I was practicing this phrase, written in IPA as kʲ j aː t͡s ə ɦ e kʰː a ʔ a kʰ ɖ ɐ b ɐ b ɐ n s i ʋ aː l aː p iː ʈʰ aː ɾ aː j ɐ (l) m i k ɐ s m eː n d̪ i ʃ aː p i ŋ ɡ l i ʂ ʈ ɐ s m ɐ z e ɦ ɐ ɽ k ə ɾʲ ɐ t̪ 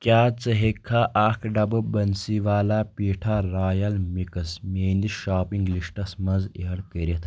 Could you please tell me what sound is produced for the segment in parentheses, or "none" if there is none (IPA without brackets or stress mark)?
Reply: l